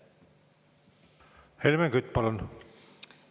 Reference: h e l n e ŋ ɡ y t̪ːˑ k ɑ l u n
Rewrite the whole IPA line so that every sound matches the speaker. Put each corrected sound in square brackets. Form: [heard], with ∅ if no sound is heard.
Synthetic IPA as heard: h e l [m] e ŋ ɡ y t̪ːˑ [p] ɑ l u n